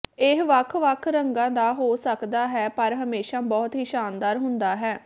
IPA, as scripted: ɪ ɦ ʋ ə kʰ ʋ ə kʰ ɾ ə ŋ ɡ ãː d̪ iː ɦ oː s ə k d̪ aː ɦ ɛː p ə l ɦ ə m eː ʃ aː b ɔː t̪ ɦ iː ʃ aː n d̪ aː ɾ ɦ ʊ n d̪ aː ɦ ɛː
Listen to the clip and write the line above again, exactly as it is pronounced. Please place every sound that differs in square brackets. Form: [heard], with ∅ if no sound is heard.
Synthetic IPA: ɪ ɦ ʋ ə kʰ ʋ ə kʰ ɾ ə ŋ ɡ ãː d̪ [aː] ɦ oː s ə k d̪ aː ɦ ɛː p ə [ɾ] ɦ ə m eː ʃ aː b ɔː t̪ ɦ iː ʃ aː n d̪ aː ɾ ɦ ʊ n d̪ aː ɦ ɛː